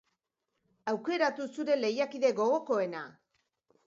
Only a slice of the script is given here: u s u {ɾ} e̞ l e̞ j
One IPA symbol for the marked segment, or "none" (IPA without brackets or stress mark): ɾ